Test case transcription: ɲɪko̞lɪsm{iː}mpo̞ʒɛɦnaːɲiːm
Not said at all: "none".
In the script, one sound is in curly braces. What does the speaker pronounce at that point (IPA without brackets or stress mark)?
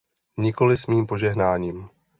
iː